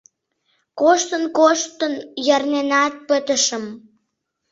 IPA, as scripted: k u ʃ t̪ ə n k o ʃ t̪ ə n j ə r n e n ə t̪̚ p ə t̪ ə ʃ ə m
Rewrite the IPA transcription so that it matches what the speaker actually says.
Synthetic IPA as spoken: k o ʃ t̪ ə n k o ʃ t̪ ə n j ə r n e n ɑ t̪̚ p ə t̪ ə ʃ ə m